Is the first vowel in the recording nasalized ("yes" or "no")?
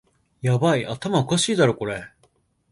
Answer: no